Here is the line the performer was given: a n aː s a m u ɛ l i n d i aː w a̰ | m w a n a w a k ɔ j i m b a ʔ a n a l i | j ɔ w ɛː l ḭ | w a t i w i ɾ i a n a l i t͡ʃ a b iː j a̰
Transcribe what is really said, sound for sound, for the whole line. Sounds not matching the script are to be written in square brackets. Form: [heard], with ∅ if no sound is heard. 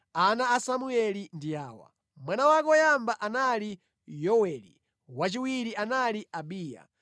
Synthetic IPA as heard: a n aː s a m u ɛ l i n d i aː w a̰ | m w a n a w a k ɔ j [a] m b a ʔ a n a l i | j ɔ w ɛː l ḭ | w a [t͡ʃ] i w i ɾ i a n a l i [∅] a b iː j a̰